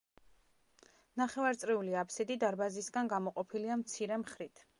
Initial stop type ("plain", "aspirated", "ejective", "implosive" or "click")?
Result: plain